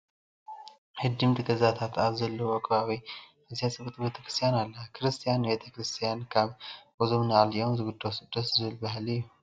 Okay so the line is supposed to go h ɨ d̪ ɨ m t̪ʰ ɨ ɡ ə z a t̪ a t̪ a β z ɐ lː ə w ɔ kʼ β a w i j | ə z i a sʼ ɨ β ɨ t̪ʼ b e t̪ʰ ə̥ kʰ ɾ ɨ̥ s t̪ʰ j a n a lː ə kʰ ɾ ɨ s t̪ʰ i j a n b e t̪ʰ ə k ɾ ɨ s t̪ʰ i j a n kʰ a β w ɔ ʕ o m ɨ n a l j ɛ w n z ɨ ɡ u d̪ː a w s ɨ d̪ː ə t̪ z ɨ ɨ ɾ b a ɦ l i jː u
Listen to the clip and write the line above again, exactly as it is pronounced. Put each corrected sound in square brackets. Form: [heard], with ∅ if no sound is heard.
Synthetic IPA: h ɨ d̪ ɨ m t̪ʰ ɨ ɡ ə z a [t̪ʰ] a t̪ a β z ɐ lː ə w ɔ kʼ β a w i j | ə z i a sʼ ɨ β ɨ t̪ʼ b e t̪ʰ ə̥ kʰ ɾ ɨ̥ s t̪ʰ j a n a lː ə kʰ ɾ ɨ s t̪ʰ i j a n b e t̪ʰ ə k ɾ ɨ s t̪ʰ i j a n kʰ a β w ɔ [z] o m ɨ n a l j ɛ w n z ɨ ɡ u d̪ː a w s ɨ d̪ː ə t̪ z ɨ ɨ [l] b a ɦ l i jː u